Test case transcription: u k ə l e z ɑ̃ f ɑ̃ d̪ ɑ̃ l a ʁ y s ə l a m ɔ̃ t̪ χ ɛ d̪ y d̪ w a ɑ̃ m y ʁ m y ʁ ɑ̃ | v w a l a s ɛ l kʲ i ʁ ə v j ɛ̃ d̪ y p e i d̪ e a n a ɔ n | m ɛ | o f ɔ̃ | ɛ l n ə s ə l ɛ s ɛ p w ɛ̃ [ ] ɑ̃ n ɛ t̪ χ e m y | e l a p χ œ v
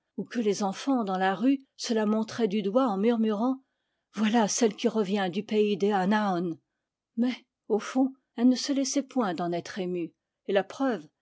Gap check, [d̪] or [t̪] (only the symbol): d̪